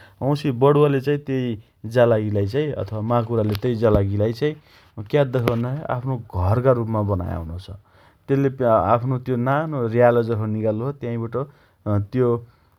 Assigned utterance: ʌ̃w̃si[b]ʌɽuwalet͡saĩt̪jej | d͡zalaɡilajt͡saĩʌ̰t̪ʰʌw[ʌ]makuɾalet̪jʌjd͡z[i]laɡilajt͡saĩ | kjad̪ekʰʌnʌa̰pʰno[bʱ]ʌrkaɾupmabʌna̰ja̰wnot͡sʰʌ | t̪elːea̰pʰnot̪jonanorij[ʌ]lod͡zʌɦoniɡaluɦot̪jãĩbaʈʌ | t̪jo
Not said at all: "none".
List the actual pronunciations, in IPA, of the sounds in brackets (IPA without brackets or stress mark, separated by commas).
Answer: b, a, a, ɡʱ, a